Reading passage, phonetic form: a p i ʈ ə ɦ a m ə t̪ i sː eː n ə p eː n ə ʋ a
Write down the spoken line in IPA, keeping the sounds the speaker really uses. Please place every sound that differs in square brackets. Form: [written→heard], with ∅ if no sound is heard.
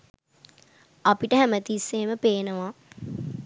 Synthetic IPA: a p i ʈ ə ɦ [a→æ] m ə t̪ i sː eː [n→m] ə p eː n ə ʋ a